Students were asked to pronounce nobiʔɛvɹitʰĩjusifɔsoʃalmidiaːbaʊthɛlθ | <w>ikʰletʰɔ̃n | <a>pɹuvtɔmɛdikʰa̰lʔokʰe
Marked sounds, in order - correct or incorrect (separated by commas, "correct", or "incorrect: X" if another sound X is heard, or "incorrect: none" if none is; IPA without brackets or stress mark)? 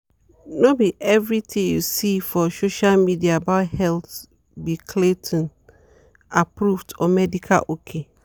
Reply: incorrect: b, correct